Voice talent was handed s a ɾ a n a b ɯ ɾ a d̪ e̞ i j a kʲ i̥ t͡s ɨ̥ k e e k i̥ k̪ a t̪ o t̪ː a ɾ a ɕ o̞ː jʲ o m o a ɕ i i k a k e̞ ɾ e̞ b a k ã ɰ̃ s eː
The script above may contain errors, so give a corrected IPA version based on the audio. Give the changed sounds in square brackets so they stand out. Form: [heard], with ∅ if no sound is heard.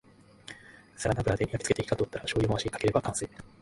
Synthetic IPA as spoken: s a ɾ a n a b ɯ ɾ a d̪ e̞ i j a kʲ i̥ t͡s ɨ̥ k e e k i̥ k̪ a t̪ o t̪ː a ɾ a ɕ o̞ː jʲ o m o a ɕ i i k a k e̞ ɾ e̞ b a k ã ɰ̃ s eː